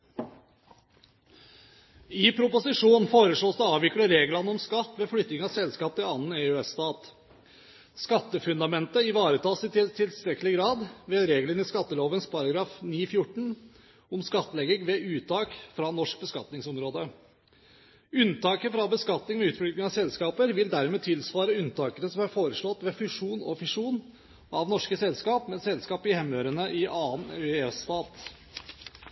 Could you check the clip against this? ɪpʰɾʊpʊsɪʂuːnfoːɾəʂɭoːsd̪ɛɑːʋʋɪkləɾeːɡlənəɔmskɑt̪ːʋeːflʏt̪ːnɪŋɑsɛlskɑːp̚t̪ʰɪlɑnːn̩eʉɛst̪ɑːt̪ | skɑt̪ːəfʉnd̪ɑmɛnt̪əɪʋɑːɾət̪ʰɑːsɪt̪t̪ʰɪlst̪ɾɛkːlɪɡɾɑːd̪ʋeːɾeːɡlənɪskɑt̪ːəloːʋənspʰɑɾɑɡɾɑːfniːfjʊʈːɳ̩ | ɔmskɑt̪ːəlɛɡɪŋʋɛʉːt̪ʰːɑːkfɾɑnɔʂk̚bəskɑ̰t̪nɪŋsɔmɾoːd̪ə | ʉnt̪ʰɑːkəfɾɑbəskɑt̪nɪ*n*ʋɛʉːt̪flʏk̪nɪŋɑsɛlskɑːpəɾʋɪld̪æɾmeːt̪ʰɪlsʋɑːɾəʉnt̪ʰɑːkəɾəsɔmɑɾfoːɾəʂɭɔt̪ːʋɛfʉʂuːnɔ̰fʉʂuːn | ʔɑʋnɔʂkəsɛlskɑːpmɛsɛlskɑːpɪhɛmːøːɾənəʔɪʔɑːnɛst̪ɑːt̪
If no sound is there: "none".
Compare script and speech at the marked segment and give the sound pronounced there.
ŋ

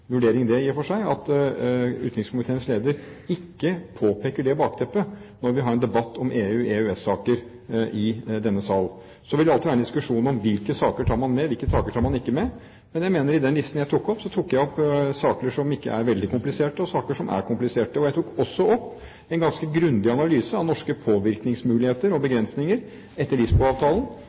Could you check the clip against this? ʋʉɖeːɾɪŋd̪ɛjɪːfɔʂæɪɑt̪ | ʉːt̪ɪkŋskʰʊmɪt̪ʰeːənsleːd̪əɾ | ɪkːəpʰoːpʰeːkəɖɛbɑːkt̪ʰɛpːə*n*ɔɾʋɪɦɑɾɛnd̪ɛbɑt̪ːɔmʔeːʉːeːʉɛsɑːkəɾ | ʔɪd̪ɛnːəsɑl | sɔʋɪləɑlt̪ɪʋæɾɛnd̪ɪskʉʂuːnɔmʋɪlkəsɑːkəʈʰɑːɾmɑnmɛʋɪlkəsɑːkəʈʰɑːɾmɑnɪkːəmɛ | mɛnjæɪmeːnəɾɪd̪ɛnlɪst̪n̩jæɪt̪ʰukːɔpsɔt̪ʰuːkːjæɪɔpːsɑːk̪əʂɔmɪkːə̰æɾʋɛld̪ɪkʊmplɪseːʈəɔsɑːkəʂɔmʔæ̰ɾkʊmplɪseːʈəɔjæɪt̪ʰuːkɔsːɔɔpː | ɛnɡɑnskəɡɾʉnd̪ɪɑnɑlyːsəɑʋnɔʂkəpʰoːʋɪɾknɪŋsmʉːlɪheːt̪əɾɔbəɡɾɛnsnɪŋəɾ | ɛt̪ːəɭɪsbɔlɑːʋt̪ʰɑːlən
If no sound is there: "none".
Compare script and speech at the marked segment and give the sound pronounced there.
n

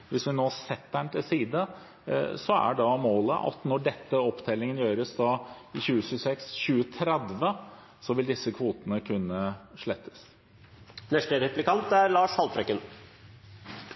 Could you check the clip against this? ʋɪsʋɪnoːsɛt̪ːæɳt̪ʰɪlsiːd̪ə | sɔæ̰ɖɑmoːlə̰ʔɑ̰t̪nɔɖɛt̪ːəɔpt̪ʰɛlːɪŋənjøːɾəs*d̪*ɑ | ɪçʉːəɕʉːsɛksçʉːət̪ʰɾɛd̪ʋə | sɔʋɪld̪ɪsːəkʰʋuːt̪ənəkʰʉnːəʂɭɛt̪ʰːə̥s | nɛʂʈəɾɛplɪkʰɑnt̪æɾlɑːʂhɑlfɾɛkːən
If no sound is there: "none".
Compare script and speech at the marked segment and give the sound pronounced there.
d̪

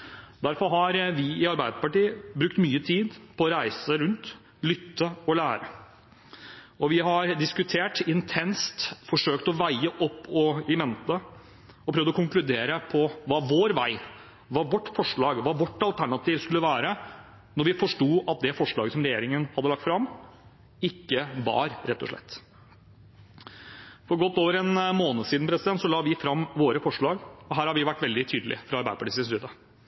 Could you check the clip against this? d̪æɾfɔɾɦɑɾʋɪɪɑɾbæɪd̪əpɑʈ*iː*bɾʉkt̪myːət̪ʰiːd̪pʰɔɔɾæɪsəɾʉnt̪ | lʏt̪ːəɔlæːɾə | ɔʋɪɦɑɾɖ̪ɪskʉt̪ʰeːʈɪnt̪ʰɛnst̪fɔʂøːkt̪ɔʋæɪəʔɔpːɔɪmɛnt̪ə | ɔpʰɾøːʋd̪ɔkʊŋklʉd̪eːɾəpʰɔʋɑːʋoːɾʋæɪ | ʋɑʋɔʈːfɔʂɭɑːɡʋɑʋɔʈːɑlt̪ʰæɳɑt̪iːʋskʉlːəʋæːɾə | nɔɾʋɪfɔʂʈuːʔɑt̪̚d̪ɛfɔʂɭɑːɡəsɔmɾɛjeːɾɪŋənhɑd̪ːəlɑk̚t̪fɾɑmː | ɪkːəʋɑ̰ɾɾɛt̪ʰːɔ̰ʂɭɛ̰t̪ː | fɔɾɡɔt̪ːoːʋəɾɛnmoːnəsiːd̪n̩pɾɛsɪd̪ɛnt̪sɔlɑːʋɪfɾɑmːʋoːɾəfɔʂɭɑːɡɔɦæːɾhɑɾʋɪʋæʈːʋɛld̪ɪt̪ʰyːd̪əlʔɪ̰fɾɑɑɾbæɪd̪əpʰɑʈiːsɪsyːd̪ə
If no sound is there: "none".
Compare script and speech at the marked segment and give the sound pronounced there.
iː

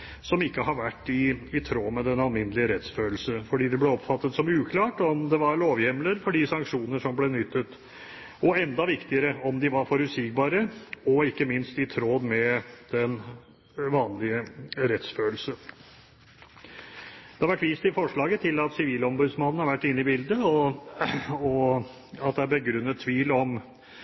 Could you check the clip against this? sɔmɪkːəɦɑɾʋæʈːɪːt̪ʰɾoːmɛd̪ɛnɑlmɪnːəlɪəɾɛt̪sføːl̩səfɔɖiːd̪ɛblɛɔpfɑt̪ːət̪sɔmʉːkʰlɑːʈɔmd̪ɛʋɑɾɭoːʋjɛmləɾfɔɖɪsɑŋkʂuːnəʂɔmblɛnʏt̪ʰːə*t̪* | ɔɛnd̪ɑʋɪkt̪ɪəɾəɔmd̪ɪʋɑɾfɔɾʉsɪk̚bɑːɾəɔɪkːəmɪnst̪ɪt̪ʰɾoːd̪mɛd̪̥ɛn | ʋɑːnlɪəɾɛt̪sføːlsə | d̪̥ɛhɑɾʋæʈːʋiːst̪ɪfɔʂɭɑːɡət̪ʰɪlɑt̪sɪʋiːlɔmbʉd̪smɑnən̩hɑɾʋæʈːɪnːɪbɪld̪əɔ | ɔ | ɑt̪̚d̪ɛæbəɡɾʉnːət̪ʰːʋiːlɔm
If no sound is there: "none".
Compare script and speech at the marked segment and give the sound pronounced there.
t̪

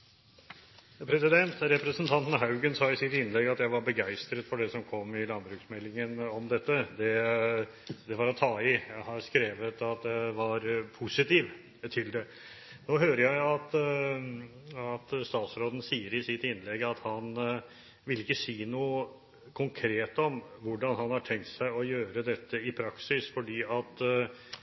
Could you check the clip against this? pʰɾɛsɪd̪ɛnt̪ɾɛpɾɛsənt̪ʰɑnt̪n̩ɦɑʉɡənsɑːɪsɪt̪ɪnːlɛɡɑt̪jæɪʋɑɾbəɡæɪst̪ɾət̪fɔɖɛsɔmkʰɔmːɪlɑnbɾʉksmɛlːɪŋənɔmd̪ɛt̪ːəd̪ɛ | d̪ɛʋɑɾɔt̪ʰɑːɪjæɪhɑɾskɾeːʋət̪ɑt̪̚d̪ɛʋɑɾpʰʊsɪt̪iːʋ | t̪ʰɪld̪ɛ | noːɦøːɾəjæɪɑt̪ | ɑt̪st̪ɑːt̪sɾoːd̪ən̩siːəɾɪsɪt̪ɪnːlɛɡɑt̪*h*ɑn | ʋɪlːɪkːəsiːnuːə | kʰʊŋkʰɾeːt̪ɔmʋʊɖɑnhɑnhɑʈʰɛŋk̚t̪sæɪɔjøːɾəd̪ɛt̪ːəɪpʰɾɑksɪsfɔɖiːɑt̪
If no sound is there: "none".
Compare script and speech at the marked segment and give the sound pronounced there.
h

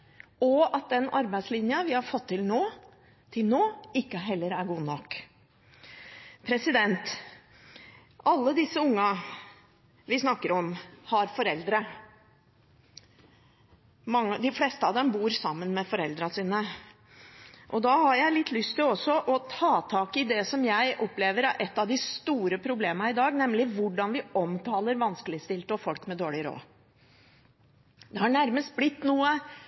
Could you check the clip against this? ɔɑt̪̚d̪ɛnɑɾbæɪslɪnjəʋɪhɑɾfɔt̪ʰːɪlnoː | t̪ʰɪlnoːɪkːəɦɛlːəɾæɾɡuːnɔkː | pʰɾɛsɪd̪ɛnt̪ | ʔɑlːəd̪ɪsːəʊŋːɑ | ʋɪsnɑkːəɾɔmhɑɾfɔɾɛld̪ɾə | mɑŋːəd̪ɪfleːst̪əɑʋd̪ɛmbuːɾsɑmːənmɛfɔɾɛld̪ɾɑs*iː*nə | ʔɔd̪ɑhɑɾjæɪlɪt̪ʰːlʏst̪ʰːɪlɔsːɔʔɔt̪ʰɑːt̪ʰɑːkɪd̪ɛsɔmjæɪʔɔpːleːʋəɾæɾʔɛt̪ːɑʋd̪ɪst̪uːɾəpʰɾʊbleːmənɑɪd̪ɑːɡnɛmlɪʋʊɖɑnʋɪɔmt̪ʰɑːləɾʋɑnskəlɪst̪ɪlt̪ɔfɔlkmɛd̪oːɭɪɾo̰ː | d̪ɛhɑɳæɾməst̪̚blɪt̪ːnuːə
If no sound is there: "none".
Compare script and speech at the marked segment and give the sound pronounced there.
iː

